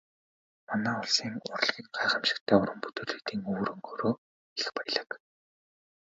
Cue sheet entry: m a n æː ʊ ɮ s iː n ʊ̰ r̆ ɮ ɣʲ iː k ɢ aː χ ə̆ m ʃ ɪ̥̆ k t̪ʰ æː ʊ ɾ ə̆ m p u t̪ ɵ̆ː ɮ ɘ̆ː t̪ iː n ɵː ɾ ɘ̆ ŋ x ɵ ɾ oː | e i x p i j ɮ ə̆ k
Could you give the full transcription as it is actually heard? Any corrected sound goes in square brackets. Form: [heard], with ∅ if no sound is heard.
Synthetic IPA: m a n æː ʊ ɮ s iː [ŋ] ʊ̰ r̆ ɮ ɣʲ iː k ɢ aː χ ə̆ m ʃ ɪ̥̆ k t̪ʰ æː ʊ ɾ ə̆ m p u t̪ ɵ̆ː ɮ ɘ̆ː t̪ iː [ŋ] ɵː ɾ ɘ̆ ŋ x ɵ ɾ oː | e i x p [æ] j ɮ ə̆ k

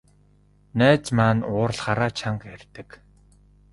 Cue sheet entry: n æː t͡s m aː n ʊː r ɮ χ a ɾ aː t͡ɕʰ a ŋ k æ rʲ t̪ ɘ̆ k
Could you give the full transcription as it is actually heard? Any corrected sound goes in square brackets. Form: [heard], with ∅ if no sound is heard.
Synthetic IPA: n æː t͡s m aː n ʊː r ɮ χ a ɾ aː t͡ɕʰ a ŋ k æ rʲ t̪ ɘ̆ k

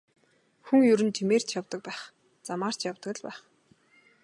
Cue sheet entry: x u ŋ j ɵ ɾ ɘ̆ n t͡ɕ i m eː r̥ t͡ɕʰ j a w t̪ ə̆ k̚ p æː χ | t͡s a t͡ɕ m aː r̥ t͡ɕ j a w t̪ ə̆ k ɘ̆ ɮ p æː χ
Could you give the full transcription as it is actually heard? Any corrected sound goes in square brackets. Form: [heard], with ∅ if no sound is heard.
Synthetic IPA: x u ŋ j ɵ ɾ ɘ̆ n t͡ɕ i m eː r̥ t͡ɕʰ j a w t̪ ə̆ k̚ p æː χ | t͡s a [∅] m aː r̥ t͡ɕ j a w t̪ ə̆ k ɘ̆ ɮ p æː χ

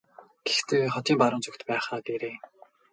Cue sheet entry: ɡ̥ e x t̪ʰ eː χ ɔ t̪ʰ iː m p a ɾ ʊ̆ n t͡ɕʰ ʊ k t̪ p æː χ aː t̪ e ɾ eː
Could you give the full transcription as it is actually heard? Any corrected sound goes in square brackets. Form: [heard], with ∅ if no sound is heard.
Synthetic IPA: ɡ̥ e x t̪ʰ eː χ ɔ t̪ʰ iː m p a ɾ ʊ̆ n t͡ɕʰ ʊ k t̪ p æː χ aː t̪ e ɾ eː

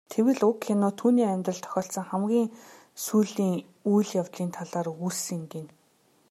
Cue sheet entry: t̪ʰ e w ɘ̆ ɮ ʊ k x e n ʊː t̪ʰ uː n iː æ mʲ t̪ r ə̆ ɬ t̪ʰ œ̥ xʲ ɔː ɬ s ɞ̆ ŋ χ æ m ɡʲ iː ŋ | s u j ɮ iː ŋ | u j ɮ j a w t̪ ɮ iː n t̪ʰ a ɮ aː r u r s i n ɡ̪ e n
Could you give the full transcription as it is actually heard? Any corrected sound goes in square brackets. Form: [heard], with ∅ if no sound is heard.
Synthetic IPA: t̪ʰ e w ɘ̆ ɮ ʊ k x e n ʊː t̪ʰ uː n iː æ mʲ t̪ r ə̆ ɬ t̪ʰ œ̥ xʲ ɔː ɬ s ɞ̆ ŋ χ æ m ɡʲ iː ŋ | s u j ɮ iː ŋ | u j ɮ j a w t̪ ɮ iː n t̪ʰ a ɮ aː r u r s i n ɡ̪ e n

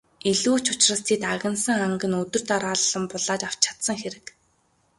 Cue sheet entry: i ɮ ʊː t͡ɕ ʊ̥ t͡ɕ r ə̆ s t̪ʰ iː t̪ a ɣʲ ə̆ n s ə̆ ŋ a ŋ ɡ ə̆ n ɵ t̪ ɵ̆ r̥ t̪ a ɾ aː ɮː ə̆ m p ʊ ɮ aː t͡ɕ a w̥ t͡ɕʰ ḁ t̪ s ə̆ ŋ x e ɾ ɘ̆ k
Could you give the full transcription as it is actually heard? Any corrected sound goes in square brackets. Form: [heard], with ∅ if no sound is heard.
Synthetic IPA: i ɮ [uː] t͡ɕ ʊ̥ t͡ɕ r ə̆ s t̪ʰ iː t̪ a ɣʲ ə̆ n s ə̆ ŋ a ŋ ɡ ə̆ n ɵ t̪ ɵ̆ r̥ t̪ a ɾ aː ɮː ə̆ m p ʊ ɮ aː t͡ɕ a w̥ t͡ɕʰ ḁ t̪ s ə̆ ŋ x e ɾ ɘ̆ k

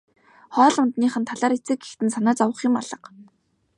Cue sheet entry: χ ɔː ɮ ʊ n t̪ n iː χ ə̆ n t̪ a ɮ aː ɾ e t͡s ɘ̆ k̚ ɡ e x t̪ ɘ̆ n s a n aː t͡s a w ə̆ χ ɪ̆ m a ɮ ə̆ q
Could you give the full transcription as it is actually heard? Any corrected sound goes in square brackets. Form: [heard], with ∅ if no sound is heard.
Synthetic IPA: χ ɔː ɮ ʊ n t̪ n iː χ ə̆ n [t̪ʰ] a ɮ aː ɾ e t͡s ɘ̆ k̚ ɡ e x t̪ ɘ̆ n s a n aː t͡s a w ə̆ χ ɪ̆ m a ɮ ə̆ q

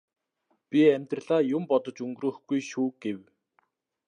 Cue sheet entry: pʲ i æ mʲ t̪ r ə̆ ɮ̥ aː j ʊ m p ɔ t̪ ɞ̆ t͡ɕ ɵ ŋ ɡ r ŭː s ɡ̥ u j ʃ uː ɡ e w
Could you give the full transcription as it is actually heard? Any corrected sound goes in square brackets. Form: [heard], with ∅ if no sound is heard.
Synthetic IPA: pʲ i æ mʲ t̪ r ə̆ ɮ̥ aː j ʊ m p ɔ t̪ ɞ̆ t͡ɕ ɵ ŋ ɡ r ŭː [x] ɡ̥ u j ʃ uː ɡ e w

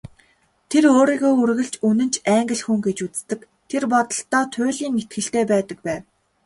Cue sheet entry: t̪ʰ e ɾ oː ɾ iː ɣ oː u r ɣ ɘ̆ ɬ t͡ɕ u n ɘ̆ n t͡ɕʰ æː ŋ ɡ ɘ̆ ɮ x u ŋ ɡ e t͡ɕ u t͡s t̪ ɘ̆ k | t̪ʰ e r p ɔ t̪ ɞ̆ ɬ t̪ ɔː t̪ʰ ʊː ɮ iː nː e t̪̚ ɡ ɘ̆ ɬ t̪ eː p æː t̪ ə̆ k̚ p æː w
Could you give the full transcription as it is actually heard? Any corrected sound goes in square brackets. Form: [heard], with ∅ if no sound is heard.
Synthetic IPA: t̪ʰ e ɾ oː ɾ iː ɣ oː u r ɣ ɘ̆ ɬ t͡ɕ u n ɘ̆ n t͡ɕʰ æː ŋ ɡ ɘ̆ ɮ x u ŋ ɡ e t͡ɕ u t͡s t̪ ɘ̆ k | t̪ʰ e r p ɔ t̪ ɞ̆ ɬ t̪ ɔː t̪ʰ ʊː ɮ iː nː e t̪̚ ɡ ɘ̆ ɬ t̪ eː p æː t̪ ə̆ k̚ p æː w

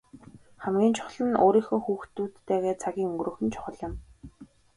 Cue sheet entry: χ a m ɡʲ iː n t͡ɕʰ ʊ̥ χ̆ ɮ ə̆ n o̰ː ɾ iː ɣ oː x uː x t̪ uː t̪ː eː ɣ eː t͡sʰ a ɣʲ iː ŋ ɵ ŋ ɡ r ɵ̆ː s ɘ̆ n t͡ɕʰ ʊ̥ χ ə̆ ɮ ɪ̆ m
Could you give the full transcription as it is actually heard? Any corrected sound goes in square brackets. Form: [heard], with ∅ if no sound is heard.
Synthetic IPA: χ [æ] m ɡʲ iː n t͡ɕʰ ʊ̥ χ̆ ɮ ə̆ n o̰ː ɾ iː [x] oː x uː x t̪ uː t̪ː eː ɣ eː t͡sʰ a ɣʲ iː ŋ ɵ ŋ ɡ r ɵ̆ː [x] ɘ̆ n t͡ɕʰ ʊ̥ χ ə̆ ɮ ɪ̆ m

